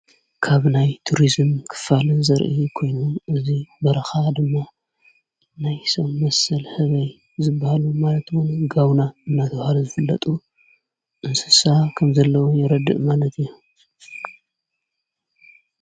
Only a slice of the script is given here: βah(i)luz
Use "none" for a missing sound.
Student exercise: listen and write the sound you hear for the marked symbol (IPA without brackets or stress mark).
a